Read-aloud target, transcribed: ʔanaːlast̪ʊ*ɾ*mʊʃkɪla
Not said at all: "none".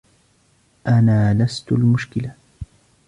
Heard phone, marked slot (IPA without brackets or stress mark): l